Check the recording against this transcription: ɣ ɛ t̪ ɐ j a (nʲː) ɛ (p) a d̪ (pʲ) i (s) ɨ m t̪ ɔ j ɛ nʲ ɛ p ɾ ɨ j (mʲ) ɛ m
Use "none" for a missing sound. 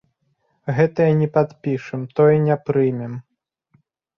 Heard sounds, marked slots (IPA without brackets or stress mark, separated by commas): nʲ, p, pʲ, ʂ, mʲ